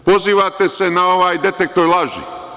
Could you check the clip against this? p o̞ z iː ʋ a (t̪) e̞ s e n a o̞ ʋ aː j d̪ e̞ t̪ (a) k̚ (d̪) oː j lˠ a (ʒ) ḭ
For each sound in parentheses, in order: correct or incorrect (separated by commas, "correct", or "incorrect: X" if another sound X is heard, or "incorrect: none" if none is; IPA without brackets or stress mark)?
correct, incorrect: e, incorrect: t̪, correct